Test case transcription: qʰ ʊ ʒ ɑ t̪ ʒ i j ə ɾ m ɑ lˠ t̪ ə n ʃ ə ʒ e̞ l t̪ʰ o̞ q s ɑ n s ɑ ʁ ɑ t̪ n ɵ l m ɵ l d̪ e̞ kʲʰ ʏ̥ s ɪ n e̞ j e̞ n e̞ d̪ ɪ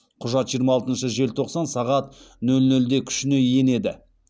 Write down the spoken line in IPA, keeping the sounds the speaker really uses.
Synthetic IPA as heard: qʰ ʊ ʒ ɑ t̪ ʒ i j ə ɾ m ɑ lˠ t̪ ə n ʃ ə ʒ e̞ l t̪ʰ o̞ q s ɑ n s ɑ ʁ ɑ t̪ n ɵ l n ɵ l d̪ e̞ kʲʰ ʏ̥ ʃ ɪ n e̞ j e̞ n e̞ d̪ ɪ